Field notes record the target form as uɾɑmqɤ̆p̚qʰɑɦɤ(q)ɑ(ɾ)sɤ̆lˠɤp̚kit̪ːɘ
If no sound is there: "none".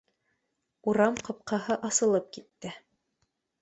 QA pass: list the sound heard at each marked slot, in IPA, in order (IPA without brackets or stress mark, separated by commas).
ʔ, none